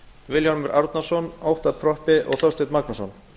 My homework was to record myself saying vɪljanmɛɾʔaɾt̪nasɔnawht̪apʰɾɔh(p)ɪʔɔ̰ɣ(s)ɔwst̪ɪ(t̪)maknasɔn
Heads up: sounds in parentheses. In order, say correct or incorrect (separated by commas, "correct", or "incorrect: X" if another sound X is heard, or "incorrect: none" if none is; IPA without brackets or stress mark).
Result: correct, incorrect: θ, correct